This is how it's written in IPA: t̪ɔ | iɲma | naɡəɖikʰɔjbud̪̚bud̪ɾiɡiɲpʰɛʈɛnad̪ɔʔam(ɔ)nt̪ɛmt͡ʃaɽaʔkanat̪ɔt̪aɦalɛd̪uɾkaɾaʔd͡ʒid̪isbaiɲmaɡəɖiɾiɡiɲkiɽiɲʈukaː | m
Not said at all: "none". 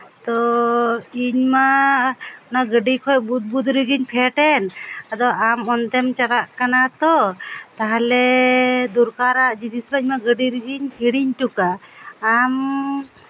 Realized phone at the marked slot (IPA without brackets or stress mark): ɔ